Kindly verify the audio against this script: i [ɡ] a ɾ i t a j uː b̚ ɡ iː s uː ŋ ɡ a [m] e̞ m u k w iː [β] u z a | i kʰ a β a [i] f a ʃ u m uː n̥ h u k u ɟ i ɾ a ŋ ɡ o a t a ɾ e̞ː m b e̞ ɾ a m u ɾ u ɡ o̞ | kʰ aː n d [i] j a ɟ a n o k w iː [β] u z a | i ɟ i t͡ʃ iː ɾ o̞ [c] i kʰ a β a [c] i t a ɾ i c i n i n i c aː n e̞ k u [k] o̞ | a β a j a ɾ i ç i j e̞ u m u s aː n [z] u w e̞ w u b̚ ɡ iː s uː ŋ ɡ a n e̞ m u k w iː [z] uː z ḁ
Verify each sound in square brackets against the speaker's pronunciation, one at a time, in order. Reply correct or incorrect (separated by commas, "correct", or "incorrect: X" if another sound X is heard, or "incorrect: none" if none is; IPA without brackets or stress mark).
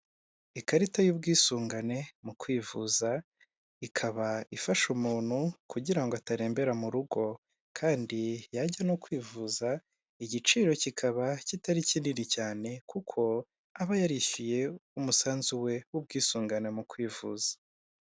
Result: incorrect: k, incorrect: n, incorrect: v, correct, correct, incorrect: v, correct, correct, incorrect: kʰ, correct, incorrect: v